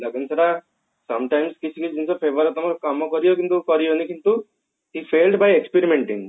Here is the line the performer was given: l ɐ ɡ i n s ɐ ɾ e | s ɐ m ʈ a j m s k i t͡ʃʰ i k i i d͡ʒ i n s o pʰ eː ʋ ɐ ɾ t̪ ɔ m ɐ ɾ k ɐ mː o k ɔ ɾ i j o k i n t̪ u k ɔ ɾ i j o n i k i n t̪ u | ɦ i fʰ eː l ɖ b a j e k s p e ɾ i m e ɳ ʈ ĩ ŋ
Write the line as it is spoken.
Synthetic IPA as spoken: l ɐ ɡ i n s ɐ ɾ a | s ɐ m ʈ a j m s k i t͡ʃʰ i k i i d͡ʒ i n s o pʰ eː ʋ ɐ ɾ t̪ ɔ m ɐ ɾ k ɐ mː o k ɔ ɾ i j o k i n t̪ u k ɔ ɾ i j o n i k i n t̪ u | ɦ i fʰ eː l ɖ b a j e k s p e ɾ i m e ɳ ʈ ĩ ŋ